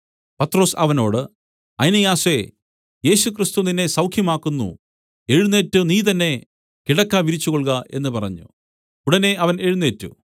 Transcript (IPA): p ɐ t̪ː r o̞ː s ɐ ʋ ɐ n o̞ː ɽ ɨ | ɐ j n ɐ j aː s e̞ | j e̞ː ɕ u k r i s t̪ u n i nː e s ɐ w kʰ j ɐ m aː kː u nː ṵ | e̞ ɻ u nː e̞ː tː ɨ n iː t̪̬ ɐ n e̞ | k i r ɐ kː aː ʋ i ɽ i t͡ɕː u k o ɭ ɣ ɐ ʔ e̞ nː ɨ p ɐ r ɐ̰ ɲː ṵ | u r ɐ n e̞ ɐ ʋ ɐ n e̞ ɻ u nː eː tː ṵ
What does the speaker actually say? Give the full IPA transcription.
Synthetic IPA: p ɐ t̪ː r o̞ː s ɐ ʋ ɐ n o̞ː ɽ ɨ | ɐ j n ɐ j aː s e̞ | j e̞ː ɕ u k r i s t̪ u n i nː e s ɐ w kʰ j ɐ m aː kː u nː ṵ | e̞ ɻ u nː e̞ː tː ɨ n iː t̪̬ ɐ nː e̞ | k i ɽ ɐ kː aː ʋ i ɾ i t͡ɕː u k o ɭ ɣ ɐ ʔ e̞ nː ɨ p ɐ r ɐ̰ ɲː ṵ | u ɽ ɐ n e̞ ɐ ʋ ɐ n e̞ ɻ u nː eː tː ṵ

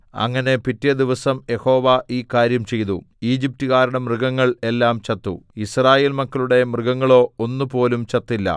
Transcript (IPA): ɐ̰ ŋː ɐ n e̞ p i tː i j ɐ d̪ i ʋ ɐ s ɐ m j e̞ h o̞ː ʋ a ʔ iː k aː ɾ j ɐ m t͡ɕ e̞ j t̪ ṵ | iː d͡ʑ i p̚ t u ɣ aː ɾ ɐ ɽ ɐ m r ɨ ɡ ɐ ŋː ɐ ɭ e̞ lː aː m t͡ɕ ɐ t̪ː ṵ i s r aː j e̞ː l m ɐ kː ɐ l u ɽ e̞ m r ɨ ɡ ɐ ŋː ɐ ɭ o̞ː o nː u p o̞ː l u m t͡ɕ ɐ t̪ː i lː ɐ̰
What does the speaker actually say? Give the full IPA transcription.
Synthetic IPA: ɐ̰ ŋː ɐ n e̞ p i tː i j ɐ d̪ i ʋ ɐ s ɐ m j e̞ h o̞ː ʋ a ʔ iː k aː ɾ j ɐ m t͡ɕ e̞ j t̪ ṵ | iː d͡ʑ i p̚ t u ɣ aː ɾ ɐ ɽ ɐ m r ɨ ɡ ɐ ŋː ɐ ɭ e̞ lː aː m t͡ɕ ɐ t̪ː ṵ i s r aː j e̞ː l m ɐ kː ɐ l u ɽ e̞ m r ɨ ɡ ɐ ŋː ɐ ɭ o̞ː o nː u p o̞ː l u m t͡ɕ ɐ t̪ː i lː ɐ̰

